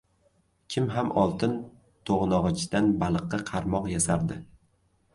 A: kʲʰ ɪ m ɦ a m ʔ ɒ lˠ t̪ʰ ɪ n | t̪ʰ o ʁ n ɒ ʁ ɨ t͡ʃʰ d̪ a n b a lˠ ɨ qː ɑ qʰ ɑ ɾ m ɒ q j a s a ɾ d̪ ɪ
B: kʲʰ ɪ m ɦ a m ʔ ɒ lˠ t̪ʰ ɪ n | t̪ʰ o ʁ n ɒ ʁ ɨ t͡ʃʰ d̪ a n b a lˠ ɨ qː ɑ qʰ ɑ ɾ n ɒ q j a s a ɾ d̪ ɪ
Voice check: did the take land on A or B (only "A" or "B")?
A